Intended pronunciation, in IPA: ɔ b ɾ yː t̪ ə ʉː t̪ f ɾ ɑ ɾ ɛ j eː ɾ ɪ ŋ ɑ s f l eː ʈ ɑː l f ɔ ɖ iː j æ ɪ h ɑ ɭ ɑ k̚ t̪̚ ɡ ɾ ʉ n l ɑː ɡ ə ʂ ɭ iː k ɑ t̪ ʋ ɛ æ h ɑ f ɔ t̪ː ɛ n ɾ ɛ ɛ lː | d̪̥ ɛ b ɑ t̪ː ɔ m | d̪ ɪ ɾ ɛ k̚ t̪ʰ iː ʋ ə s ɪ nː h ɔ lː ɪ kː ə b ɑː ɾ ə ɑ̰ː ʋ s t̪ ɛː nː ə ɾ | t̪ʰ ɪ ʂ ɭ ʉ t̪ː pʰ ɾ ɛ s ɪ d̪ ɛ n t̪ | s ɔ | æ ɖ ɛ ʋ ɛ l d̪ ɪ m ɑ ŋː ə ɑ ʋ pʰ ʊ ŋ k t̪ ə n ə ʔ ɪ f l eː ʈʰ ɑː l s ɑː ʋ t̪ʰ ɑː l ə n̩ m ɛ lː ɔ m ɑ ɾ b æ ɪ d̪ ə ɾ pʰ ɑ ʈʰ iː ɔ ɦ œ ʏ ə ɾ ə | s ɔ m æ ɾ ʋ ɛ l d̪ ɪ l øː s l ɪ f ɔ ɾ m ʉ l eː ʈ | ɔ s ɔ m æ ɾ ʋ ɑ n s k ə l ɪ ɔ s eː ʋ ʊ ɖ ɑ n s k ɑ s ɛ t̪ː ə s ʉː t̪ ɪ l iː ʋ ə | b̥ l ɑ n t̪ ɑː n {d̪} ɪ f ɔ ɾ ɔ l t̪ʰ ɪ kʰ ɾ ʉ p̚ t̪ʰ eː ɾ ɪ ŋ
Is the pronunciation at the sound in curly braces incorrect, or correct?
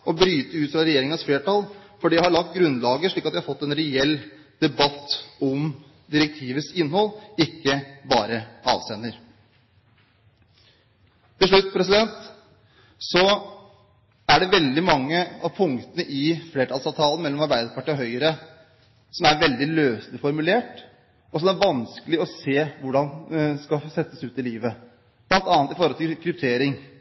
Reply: incorrect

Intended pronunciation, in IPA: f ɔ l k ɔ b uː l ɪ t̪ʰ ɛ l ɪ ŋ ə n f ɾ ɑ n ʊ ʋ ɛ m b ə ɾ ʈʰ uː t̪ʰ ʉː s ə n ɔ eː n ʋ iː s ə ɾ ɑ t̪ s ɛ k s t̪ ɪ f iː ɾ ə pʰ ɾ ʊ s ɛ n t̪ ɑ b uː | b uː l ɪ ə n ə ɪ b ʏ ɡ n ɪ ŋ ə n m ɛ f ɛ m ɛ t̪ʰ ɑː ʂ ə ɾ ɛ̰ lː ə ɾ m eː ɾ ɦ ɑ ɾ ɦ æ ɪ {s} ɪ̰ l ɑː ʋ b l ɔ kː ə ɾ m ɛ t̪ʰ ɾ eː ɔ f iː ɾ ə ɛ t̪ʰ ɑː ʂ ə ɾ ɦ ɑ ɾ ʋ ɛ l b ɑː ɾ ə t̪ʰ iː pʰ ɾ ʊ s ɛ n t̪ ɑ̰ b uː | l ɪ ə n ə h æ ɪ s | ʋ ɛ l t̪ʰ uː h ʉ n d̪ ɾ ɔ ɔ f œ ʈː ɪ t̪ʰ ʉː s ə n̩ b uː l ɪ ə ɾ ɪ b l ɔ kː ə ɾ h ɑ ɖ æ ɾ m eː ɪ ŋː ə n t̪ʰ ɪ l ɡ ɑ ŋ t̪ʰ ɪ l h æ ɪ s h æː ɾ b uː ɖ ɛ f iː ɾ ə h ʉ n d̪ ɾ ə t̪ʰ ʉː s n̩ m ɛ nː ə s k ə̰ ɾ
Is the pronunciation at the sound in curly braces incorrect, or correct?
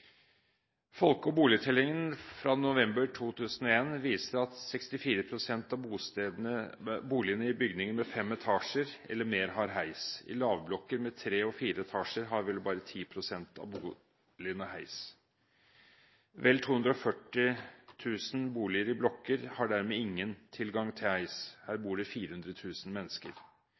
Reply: correct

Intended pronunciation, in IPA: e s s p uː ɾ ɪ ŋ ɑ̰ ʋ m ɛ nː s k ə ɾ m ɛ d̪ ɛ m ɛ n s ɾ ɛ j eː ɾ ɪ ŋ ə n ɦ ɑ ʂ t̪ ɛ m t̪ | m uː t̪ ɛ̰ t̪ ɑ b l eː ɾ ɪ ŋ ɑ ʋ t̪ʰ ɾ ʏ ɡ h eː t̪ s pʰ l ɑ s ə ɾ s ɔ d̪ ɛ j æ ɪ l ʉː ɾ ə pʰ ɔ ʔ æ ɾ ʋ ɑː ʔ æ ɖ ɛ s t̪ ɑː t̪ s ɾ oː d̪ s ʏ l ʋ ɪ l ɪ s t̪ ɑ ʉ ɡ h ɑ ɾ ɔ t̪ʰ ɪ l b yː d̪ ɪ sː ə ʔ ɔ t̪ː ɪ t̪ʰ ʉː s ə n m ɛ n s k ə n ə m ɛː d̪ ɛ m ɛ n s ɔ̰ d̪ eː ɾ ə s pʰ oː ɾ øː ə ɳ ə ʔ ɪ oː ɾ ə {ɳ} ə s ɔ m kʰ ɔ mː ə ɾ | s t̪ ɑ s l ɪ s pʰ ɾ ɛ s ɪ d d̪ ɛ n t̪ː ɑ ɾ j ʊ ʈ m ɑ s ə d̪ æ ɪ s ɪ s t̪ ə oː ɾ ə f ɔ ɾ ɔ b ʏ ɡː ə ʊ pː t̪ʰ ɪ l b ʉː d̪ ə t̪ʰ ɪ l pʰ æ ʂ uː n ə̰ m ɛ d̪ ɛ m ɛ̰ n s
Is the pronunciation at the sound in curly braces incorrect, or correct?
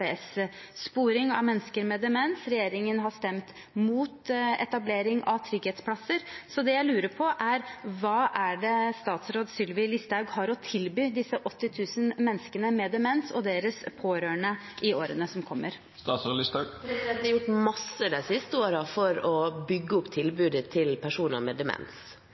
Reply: incorrect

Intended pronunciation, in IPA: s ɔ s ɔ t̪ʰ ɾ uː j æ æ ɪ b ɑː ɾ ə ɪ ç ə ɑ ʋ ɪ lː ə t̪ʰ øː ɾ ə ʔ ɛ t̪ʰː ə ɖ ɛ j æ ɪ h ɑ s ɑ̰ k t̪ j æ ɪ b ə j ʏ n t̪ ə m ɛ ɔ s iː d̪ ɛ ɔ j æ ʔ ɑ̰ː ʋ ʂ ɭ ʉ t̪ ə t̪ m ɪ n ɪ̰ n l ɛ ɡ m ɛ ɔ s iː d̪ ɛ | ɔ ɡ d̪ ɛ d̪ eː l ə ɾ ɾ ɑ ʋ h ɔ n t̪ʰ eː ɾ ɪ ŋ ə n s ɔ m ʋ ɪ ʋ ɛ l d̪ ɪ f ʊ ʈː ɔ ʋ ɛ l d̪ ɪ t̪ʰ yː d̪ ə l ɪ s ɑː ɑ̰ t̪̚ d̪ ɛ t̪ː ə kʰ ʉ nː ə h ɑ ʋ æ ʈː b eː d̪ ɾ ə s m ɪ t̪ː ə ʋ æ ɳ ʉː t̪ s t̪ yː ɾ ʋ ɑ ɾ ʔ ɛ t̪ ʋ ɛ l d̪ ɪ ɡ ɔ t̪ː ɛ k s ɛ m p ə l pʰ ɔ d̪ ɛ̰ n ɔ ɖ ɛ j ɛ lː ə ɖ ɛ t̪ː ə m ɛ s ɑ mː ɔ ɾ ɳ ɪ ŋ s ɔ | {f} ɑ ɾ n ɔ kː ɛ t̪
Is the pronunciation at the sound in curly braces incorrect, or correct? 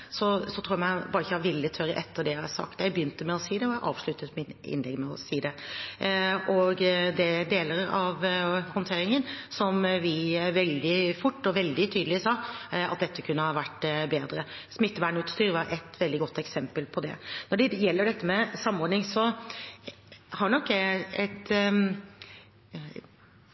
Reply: incorrect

